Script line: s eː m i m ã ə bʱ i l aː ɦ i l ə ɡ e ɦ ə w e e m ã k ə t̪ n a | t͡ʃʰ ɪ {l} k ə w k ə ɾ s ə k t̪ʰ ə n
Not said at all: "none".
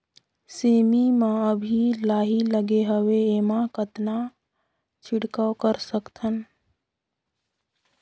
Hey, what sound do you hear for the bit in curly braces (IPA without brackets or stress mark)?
ɽ